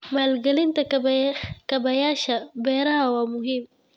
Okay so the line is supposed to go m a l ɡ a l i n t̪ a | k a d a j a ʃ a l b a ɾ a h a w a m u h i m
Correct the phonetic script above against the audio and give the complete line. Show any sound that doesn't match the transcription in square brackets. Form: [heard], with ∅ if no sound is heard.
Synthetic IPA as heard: m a l ɡ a l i n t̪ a | k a [b] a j a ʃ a [∅] b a ɾ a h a w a m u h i m